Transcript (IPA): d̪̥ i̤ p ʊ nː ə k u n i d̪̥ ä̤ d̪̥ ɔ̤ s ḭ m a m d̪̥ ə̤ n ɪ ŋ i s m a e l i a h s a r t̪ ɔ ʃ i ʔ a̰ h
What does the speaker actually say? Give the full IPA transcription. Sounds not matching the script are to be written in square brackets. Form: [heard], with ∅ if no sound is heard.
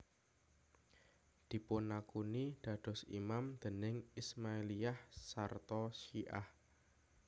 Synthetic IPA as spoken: d̪̥ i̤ p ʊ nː [a] k u n i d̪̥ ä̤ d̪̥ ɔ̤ s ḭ m a m d̪̥ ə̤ n ɪ ŋ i s m a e l i a h s a r t̪ ɔ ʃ i ʔ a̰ h

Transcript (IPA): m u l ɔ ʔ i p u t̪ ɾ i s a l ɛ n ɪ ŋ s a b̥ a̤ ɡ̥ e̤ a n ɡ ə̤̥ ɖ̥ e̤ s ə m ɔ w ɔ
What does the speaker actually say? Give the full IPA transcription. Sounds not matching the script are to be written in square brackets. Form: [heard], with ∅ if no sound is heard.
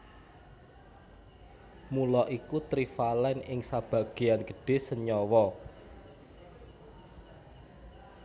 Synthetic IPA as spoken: m u l ɔ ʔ i [k] u t̪ ɾ i [f] a l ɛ n ɪ ŋ s a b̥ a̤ ɡ̥ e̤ a n ɡ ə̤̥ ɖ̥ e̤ s ə [ɲ] ɔ w ɔ

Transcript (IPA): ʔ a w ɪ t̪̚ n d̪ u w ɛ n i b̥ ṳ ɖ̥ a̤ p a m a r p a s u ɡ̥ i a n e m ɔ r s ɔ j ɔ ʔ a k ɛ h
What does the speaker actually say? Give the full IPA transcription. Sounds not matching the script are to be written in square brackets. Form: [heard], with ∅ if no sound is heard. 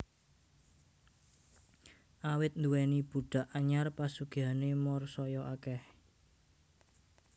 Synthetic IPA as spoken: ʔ a w ɪ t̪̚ n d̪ u w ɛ n i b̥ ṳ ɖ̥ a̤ [ʔ] a [ɲ] a r p a s u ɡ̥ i a n e m ɔ r s ɔ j ɔ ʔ a k ɛ h

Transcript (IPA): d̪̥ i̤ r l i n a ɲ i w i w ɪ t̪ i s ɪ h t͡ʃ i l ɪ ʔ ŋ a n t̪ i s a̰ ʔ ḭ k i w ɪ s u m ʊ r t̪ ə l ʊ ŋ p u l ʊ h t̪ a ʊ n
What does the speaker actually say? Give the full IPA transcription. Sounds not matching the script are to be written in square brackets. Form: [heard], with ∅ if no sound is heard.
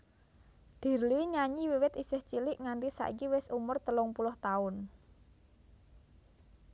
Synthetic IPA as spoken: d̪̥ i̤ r l i [ɲ] a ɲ i w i w ɪ t̪ i s ɪ h t͡ʃ i l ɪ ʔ ŋ a n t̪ i s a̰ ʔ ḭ k i w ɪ s u m ʊ r t̪ ə l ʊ ŋ p u l ʊ h t̪ a ʊ n

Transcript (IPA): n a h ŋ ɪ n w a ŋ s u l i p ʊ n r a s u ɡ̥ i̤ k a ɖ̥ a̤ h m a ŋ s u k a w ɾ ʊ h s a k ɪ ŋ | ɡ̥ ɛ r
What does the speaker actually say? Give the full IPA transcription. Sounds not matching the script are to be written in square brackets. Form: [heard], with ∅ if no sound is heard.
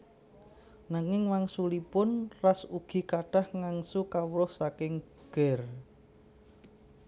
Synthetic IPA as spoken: n a [∅] ŋ ɪ [ŋ] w a ŋ s u l i p ʊ n r a s u ɡ̥ i̤ k a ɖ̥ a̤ h [ŋ] a ŋ s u k a w ɾ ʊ h s a k ɪ ŋ | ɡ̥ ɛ r

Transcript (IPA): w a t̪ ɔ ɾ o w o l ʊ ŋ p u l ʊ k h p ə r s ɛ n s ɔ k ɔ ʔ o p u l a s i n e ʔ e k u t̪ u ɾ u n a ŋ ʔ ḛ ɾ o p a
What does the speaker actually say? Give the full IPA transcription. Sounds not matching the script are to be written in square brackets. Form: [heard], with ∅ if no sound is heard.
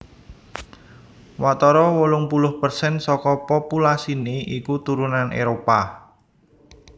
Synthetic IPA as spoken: w a t̪ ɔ ɾ [ɔ] w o l ʊ ŋ p u l ʊ [∅] h p ə r s ɛ n s ɔ k ɔ [p] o p u l a s i n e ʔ [i] k u t̪ u ɾ u n a [n] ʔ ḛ ɾ o p a

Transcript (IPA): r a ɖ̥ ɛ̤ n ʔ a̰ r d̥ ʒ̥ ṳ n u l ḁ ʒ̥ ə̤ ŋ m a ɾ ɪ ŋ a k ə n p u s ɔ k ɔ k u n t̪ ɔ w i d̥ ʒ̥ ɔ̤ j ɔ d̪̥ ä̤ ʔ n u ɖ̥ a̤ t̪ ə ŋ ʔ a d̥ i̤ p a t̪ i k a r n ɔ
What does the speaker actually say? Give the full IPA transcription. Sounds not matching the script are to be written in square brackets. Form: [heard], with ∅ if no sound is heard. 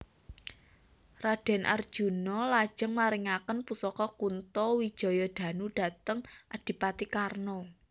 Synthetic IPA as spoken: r a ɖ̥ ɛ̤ n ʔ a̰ r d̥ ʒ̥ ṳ n [ɔ] l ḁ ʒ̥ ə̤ ŋ m a ɾ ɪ ŋ a k ə n p u s ɔ k ɔ k u n t̪ ɔ w i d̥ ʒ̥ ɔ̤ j ɔ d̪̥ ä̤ [∅] n u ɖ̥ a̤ t̪ ə ŋ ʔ a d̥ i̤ p a t̪ i k a r n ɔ

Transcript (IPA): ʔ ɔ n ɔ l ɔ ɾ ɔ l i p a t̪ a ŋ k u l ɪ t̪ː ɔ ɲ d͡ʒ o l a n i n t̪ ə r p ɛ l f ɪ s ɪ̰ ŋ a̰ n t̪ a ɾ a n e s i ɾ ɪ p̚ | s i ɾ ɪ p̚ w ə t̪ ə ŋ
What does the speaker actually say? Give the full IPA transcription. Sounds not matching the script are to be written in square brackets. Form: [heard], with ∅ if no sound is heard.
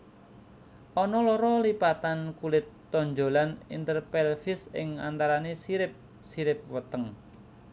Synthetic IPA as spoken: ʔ ɔ n ɔ l ɔ ɾ ɔ l i p a t̪ a [n] k u l ɪ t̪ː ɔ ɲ d͡ʒ o l a n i n t̪ ə r p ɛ l f ɪ s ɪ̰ ŋ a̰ n t̪ a ɾ a n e s i ɾ ɪ p̚ | s i ɾ ɪ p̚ w ə t̪ ə ŋ

